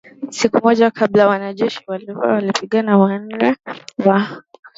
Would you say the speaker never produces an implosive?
no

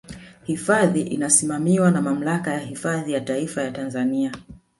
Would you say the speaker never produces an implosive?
yes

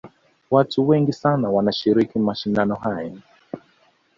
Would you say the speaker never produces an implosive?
yes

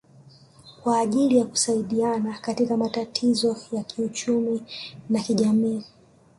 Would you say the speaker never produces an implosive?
no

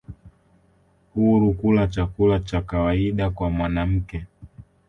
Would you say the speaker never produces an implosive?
no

